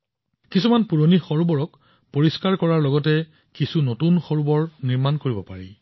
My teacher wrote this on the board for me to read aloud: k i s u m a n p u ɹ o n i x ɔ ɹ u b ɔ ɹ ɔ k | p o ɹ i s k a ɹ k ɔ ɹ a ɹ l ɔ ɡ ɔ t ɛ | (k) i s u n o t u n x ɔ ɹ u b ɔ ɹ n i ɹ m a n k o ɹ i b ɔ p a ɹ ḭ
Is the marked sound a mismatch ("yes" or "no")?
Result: no